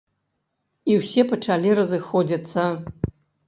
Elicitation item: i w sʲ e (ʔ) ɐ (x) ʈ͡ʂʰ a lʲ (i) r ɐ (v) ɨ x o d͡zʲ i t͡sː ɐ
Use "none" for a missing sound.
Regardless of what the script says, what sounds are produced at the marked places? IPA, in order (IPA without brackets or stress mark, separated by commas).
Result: p, none, i, z